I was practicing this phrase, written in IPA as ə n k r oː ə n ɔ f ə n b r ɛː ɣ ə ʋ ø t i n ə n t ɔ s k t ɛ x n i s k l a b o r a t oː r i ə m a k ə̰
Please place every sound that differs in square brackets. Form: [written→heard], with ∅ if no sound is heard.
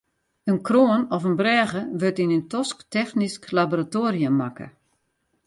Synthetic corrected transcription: ə n k r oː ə n ɔ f ə n b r ɛː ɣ ə ʋ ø t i n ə n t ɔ s k t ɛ x n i s k l a b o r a t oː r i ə m a k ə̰